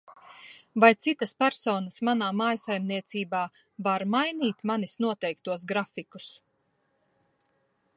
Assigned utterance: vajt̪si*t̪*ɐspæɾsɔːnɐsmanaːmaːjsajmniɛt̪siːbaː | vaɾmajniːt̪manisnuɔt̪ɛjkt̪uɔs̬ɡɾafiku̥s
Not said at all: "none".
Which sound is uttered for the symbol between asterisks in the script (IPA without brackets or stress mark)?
t̪